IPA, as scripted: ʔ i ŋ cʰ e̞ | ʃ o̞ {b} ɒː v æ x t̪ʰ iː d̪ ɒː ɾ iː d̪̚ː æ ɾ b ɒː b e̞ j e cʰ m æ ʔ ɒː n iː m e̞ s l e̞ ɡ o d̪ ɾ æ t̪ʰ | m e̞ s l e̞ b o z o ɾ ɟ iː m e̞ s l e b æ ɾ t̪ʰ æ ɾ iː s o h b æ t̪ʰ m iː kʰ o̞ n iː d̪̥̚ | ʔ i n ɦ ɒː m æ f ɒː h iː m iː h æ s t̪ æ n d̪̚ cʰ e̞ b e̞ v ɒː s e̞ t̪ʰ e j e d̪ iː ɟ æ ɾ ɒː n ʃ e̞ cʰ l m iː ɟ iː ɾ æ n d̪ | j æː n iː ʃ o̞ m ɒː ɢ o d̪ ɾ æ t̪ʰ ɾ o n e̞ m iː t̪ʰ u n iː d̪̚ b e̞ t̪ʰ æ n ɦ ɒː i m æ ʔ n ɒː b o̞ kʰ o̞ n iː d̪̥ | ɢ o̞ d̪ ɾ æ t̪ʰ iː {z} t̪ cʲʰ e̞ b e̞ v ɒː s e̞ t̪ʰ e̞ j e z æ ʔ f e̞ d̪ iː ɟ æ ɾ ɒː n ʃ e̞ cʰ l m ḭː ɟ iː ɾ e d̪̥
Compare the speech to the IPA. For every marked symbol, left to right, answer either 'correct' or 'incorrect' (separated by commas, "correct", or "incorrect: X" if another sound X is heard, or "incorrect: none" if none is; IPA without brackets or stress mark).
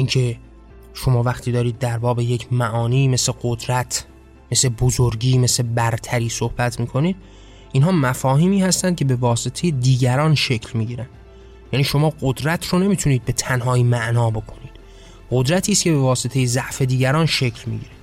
incorrect: m, incorrect: s